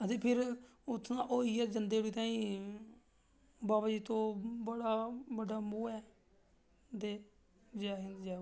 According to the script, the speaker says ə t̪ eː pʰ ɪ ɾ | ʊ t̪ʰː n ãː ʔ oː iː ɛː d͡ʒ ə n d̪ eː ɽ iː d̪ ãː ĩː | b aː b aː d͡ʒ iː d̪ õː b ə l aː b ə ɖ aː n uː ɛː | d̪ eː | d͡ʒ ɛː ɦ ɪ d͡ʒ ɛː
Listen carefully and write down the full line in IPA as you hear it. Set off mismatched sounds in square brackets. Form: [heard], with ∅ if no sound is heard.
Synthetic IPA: ə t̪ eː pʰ ɪ ɾ | ʊ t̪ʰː n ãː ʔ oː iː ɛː d͡ʒ ə n d̪ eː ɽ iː [t̪] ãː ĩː | b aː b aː d͡ʒ iː [t̪] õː b ə [ɽ] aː b ə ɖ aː [m] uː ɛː | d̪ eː | d͡ʒ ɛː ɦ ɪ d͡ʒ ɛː